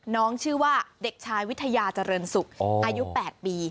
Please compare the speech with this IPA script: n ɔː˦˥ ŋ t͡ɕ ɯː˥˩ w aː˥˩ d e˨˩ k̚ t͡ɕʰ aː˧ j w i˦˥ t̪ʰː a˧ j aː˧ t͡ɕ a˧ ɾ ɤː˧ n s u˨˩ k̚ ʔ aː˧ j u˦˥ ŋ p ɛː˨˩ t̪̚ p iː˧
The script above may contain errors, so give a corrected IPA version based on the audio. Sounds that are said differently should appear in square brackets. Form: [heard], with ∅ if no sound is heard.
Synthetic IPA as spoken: n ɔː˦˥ ŋ [t͡ɕʰ] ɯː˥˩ w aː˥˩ d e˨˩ k̚ t͡ɕʰ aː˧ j w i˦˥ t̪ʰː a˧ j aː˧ t͡ɕ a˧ ɾ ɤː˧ n s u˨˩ k̚ ʔ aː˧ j u˦˥ [∅] p ɛː˨˩ t̪̚ p iː˧